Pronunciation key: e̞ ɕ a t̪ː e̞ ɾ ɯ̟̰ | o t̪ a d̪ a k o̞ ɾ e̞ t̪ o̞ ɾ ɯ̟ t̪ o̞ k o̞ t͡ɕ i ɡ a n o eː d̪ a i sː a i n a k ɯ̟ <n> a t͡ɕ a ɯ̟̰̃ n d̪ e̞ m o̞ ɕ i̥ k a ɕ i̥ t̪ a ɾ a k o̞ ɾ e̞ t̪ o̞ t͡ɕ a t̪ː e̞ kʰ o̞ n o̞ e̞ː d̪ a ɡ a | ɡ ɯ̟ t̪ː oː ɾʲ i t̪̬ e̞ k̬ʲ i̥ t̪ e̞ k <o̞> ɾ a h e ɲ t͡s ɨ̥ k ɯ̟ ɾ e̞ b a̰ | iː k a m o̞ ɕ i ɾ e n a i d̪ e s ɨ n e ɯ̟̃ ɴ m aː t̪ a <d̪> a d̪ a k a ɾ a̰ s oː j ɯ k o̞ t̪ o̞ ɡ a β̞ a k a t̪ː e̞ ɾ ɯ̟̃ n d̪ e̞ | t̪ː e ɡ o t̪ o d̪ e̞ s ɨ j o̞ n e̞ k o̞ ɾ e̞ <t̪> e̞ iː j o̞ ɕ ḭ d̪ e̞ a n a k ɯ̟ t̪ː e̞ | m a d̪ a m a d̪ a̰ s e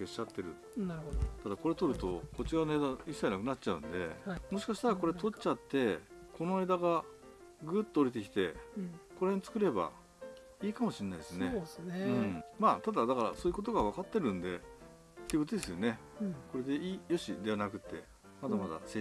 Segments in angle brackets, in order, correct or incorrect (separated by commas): correct, correct, correct, incorrect